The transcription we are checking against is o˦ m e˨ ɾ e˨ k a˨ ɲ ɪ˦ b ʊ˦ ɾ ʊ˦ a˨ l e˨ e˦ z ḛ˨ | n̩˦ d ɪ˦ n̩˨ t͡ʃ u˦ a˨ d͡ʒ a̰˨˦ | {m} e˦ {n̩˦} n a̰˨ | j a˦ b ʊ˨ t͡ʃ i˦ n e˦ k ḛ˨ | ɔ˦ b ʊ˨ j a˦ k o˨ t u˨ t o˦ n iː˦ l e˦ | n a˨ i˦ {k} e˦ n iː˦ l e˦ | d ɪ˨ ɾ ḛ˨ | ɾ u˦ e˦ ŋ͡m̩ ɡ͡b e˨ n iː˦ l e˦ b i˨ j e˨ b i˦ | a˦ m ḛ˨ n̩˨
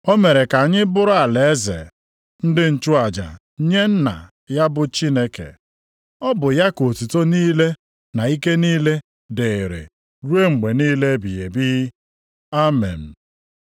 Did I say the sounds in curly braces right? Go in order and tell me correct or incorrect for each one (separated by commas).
incorrect, correct, correct